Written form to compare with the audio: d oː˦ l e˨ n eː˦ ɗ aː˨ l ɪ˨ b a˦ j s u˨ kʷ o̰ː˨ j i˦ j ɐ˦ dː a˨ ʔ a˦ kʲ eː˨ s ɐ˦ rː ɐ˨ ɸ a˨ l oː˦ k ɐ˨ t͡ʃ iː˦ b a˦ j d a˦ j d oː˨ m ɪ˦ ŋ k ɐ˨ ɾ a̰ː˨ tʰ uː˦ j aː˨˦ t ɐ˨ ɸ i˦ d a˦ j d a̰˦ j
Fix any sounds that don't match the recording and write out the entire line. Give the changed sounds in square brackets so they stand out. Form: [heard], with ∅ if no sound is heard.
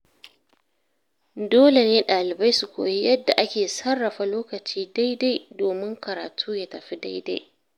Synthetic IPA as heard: d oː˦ l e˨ n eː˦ ɗ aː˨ l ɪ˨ b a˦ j s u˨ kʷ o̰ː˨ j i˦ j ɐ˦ dː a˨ ʔ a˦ kʲ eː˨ s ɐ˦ rː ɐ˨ ɸ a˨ l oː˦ k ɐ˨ t͡ʃ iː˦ [d] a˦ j d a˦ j d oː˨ m ɪ˦ ŋ k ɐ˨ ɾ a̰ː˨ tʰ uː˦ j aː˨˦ t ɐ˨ ɸ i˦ d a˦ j d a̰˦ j